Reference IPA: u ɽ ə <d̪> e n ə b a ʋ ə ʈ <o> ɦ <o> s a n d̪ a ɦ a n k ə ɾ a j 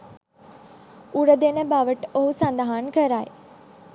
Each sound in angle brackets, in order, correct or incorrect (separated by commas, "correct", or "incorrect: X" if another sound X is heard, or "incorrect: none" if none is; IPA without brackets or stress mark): correct, correct, incorrect: u